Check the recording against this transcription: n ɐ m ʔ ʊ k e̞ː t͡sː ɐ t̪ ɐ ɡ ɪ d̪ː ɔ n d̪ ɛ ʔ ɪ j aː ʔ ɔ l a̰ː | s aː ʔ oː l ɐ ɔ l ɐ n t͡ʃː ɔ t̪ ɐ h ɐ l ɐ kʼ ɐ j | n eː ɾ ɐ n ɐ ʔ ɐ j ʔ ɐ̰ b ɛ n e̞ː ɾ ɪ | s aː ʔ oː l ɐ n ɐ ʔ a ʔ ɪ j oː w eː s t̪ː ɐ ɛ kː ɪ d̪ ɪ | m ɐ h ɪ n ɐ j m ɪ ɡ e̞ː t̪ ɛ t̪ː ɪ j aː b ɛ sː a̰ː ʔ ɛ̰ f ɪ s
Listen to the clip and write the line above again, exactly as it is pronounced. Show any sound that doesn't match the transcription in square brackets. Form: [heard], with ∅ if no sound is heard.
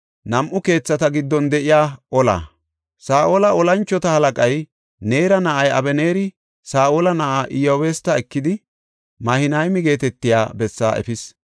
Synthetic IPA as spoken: n ɐ m ʔ ʊ k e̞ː t͡sː ɐ t̪ ɐ ɡ ɪ d̪ː ɔ n d̪ ɛ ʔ ɪ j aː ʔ ɔ l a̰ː | s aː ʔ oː l ɐ ɔ l ɐ n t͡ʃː ɔ t̪ ɐ h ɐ l ɐ kʼ ɐ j | n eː ɾ ɐ n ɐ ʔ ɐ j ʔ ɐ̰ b ɛ n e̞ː ɾ ɪ | s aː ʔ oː l ɐ n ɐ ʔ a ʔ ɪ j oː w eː s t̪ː ɐ ɛ kː ɪ d̪ ɪ | m ɐ h ɪ n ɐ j m ɪ ɡ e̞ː t̪ ɛ t̪ː ɪ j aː b ɛ sː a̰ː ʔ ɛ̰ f ɪ s